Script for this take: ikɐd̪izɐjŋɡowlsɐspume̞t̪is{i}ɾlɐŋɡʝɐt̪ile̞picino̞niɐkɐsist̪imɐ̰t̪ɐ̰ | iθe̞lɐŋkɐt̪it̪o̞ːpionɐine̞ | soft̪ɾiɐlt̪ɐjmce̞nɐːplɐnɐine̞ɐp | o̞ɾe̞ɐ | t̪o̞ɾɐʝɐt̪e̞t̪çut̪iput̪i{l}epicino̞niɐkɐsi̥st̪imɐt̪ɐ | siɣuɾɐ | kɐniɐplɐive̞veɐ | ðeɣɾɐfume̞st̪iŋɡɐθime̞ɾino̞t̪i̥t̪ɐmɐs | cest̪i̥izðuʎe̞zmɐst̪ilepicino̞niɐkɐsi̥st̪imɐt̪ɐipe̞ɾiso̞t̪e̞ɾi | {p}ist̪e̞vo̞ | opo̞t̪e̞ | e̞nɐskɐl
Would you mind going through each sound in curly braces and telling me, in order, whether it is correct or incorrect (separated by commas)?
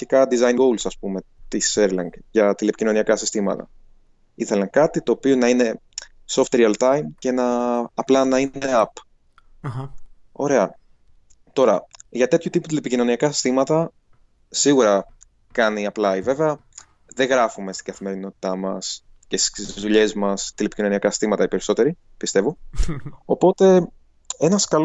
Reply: incorrect, correct, correct